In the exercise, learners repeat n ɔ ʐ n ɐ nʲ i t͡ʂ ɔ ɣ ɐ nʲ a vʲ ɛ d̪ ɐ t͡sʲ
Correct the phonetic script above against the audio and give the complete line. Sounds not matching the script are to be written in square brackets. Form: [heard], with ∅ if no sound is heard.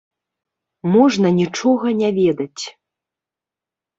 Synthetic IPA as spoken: [m] ɔ ʐ n ɐ nʲ i t͡ʂ ɔ ɣ ɐ nʲ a vʲ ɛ d̪ ɐ t͡sʲ